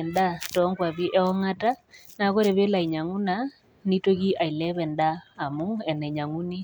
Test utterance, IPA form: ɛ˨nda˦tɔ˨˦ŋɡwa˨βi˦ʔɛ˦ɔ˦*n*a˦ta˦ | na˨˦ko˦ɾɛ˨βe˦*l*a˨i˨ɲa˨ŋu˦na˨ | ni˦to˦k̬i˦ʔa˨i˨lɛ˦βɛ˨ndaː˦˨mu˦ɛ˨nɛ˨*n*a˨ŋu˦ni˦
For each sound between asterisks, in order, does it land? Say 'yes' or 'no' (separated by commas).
no, yes, no